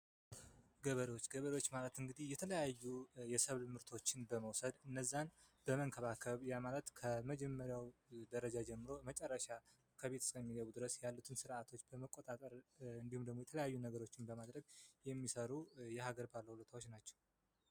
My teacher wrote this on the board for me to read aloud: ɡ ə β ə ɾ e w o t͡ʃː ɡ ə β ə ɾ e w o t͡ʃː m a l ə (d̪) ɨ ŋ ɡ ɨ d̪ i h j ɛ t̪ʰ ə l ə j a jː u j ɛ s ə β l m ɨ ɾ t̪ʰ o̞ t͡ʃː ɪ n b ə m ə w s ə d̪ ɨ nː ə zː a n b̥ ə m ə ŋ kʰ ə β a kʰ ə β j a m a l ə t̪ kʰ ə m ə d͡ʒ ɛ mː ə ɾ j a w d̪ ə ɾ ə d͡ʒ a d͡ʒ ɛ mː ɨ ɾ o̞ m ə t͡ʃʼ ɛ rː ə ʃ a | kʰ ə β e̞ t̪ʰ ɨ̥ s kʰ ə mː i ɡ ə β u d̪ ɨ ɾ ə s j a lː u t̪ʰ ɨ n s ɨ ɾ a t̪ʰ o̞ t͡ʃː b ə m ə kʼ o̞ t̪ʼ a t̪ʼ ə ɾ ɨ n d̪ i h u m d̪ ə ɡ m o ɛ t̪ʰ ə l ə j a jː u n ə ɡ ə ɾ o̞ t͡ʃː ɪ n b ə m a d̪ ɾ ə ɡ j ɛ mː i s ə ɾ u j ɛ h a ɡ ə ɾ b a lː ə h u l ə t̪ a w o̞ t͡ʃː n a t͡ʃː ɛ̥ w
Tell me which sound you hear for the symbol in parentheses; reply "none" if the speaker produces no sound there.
t̪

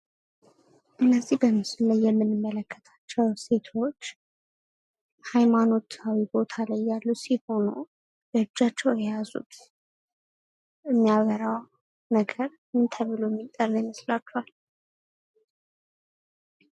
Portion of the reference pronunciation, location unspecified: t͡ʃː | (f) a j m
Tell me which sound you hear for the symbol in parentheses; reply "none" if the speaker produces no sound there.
h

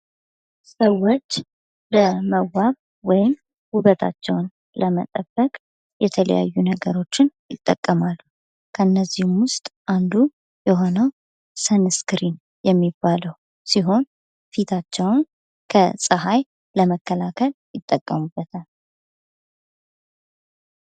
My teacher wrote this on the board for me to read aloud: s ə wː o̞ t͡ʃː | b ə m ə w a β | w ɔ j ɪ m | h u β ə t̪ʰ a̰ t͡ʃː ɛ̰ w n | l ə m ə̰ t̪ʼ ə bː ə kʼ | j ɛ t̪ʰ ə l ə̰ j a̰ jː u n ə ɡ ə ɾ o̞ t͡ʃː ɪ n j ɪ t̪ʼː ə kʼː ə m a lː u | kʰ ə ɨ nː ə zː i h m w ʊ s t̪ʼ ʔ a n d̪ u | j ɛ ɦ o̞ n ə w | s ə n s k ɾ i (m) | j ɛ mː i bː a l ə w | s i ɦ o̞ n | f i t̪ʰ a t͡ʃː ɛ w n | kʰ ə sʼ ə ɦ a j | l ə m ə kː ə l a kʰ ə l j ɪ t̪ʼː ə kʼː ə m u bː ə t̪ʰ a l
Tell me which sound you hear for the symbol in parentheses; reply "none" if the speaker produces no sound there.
n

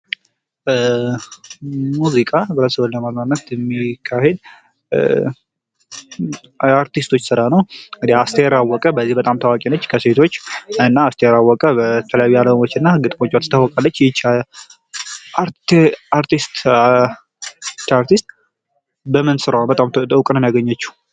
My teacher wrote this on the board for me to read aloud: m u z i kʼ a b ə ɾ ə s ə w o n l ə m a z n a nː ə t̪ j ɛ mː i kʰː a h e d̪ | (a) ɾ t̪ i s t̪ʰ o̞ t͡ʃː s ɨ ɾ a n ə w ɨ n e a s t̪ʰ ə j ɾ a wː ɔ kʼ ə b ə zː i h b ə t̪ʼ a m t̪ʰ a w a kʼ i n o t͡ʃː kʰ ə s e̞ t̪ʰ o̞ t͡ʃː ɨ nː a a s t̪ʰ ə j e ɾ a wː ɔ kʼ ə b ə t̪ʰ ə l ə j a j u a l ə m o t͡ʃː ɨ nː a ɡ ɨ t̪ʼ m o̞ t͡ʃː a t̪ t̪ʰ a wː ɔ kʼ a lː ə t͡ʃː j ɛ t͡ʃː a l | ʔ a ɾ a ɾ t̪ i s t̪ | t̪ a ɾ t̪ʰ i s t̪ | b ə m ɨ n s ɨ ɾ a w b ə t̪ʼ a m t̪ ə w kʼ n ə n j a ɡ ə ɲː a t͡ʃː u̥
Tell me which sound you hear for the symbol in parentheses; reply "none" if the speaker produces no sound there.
a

